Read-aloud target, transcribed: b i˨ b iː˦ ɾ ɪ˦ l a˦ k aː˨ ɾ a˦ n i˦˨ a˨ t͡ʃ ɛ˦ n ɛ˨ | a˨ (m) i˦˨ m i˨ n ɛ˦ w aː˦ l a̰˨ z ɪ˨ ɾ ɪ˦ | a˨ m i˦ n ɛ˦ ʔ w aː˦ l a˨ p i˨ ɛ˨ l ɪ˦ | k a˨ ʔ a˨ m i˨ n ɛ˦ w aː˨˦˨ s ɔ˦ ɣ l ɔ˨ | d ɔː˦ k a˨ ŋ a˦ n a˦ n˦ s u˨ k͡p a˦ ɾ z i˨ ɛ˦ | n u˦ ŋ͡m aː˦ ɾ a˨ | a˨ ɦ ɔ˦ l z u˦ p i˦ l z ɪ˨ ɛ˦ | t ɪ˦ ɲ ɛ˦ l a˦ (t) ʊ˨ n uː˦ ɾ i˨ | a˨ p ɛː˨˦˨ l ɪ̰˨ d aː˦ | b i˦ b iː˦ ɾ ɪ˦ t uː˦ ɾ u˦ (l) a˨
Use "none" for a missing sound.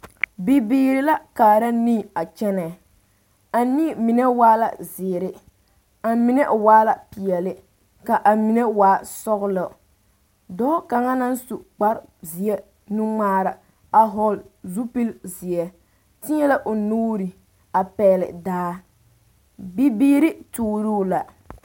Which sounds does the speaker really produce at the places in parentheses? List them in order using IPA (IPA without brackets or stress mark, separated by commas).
n, ʔ, l